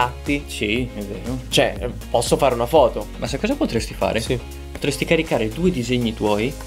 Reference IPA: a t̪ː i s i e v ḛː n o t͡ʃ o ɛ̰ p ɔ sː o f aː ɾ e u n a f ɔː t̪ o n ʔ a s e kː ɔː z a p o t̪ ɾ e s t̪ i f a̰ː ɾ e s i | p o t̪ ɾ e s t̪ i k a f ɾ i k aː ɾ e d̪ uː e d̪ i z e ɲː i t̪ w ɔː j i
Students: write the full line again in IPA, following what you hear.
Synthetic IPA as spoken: a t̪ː i s i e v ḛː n o t͡ʃ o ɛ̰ p ɔ sː o f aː ɾ e u n a f ɔː t̪ o m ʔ a s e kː ɔː z a p o t̪ ɾ e s t̪ i f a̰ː ɾ e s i | p o t̪ ɾ e s t̪ i k a ɾ i k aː ɾ e d̪ uː e d̪ i z e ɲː i t̪ w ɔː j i